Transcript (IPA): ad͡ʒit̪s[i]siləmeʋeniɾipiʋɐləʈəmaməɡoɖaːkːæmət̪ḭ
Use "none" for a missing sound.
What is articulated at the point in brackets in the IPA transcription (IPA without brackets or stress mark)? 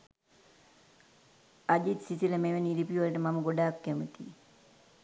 i